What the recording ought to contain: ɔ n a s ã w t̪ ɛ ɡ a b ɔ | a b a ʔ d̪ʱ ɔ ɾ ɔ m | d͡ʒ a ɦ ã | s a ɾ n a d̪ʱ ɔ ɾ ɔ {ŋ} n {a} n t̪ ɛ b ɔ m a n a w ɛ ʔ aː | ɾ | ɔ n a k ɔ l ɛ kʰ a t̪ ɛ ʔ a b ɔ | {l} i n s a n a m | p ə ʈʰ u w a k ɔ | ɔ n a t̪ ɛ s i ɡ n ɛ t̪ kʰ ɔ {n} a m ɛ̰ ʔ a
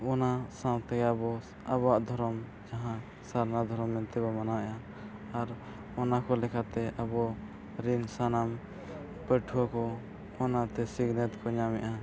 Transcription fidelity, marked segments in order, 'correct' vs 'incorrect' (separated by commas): incorrect, incorrect, incorrect, incorrect